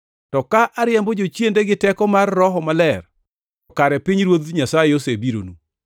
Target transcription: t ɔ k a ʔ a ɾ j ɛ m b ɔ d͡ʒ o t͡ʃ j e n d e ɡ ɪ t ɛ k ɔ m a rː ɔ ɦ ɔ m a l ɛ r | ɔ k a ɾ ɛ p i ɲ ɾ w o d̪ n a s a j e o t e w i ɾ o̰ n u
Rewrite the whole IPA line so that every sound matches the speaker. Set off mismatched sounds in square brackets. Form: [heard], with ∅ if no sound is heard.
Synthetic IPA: t ɔ k a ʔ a ɾ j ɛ m b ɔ d͡ʒ o t͡ʃ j e n d e ɡ ɪ t ɛ k ɔ m a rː ɔ ɦ ɔ m a l ɛ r | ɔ k a ɾ ɛ p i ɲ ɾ w o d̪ [ɲ] a s a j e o [s] e [b] i ɾ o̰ n u